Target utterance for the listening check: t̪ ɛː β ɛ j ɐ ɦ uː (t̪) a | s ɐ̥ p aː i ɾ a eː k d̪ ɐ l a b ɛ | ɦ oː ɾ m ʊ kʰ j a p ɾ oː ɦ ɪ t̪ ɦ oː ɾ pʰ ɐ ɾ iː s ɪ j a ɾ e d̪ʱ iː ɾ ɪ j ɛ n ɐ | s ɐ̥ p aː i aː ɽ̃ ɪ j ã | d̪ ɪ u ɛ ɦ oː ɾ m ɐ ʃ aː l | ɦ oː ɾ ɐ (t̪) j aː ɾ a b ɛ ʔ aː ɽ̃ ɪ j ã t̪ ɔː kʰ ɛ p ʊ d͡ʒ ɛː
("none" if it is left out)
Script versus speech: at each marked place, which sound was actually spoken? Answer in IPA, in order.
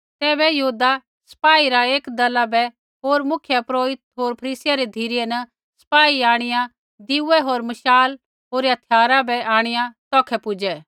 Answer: d̪, t̪ʰ

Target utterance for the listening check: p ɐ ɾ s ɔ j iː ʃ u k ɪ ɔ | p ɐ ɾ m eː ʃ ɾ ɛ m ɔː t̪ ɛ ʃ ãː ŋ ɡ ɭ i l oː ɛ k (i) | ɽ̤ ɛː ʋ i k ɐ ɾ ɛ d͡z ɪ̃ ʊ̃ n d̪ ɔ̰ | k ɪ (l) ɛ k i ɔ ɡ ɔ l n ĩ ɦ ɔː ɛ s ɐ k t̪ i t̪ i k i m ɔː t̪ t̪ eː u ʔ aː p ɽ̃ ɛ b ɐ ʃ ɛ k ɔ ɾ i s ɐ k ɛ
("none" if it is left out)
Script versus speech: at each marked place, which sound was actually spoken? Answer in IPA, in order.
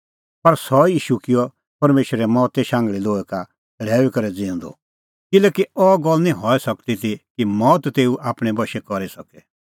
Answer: a, l

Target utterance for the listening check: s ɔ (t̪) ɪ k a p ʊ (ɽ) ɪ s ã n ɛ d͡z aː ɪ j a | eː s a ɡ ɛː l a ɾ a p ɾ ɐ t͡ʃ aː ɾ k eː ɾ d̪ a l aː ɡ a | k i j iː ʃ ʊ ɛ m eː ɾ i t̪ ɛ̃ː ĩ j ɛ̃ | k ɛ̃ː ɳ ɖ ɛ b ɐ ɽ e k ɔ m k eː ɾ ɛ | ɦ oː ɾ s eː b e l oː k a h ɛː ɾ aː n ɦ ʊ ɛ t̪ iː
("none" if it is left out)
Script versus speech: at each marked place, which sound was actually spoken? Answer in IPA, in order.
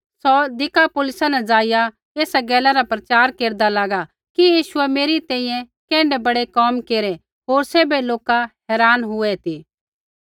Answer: d̪, l

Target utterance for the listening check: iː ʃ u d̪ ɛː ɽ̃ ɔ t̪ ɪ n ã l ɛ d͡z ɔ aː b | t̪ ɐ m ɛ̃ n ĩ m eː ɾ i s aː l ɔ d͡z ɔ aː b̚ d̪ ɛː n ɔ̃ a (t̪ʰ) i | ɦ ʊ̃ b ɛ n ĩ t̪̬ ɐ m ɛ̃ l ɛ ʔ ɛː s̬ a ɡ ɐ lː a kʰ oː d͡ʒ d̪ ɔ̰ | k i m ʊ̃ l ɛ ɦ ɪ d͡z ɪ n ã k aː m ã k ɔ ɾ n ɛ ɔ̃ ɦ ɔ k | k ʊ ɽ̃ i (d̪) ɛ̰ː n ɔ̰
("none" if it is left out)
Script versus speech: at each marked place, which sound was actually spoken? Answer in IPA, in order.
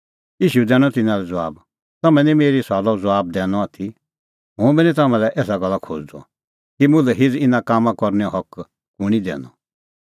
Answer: t̪ʰ, d̪

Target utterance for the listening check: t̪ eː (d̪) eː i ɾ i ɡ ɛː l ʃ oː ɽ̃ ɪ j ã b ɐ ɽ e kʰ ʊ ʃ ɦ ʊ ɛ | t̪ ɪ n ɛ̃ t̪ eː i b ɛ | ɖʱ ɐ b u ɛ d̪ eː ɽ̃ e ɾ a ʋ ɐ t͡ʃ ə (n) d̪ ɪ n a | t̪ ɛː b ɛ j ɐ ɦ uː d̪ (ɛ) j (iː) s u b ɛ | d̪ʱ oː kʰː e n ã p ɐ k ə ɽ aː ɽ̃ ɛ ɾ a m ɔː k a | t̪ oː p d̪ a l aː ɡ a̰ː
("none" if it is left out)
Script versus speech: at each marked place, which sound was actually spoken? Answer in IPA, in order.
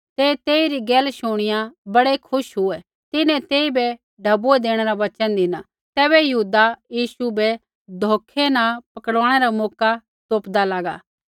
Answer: t̪, n, a, iː

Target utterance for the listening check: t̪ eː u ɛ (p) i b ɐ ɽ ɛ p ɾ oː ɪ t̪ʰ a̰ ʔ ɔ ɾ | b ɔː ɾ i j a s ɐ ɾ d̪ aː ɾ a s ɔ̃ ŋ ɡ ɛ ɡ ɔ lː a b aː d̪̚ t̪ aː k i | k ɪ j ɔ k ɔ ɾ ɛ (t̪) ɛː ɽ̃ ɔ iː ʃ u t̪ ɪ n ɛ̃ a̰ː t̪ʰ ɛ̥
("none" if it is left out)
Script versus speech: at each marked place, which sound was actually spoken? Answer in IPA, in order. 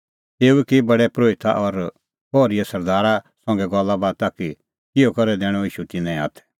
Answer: k, d̪

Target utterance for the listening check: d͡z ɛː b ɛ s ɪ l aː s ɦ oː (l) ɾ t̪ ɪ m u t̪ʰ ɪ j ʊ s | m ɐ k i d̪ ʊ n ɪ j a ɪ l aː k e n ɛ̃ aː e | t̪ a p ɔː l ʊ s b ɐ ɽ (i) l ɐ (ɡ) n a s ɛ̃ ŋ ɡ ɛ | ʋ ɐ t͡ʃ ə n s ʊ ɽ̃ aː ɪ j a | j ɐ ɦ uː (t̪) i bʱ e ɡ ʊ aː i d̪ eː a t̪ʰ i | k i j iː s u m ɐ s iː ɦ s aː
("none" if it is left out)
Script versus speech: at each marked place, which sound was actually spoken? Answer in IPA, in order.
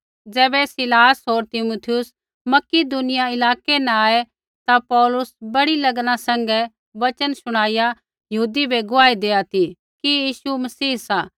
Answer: none, i, ɡ, d̪

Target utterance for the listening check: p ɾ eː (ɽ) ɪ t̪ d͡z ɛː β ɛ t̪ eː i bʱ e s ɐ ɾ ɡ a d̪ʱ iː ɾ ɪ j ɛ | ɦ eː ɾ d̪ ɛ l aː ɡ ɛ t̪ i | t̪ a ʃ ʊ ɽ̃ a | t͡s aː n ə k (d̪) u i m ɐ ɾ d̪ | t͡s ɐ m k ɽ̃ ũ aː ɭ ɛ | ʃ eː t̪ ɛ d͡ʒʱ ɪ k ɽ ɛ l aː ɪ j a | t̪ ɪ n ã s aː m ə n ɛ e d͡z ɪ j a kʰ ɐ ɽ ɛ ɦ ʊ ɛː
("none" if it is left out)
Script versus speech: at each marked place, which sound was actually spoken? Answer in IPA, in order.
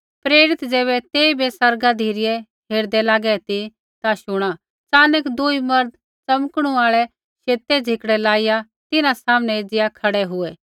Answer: ɾ, d̪

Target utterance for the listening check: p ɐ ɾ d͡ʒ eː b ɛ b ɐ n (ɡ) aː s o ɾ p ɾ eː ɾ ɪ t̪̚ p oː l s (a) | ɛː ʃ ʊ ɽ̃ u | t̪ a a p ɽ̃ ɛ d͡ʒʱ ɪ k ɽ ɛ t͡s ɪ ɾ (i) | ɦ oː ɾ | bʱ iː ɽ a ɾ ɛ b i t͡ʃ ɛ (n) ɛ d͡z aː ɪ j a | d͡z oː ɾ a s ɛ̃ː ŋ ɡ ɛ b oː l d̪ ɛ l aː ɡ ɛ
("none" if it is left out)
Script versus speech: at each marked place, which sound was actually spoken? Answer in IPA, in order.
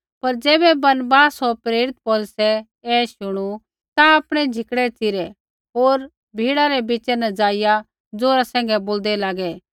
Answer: b, ɛ, ɛ, n

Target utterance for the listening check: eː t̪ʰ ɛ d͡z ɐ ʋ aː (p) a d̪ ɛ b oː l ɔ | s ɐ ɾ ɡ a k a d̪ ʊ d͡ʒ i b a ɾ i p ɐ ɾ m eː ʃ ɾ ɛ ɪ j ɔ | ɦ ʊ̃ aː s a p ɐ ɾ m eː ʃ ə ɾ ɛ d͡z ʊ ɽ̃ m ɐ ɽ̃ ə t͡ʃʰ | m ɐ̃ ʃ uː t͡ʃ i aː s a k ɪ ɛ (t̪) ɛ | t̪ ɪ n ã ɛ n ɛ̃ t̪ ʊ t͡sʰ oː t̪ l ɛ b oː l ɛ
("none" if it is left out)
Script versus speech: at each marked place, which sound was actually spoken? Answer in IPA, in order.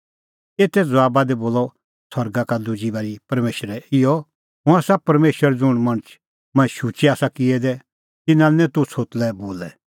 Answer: b, d̪

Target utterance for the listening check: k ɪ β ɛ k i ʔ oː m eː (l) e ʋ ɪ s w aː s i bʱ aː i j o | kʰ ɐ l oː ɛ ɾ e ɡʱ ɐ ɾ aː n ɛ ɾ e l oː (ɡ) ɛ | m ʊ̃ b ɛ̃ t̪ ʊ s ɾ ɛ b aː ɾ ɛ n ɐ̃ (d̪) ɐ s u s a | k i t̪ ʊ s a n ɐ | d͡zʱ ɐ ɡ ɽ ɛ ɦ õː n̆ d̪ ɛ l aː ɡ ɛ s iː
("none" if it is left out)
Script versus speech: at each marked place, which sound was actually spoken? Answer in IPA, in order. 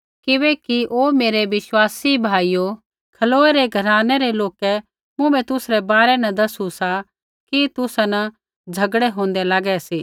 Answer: ɾ, k, d̪

